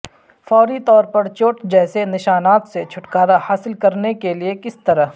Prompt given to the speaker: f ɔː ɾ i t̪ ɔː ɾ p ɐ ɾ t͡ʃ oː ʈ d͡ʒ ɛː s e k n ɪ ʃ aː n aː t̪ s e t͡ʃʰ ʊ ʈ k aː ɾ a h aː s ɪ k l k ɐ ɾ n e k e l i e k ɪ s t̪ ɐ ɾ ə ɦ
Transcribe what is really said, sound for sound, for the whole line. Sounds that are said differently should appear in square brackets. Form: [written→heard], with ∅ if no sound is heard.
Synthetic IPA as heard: f ɔː ɾ i t̪ ɔː ɾ p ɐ ɾ t͡ʃ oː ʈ d͡ʒ ɛː s e [k→∅] n ɪ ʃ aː n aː t̪ s e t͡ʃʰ ʊ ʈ k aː ɾ a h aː s ɪ [k→∅] l k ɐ ɾ n e k e l i e k ɪ s t̪ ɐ ɾ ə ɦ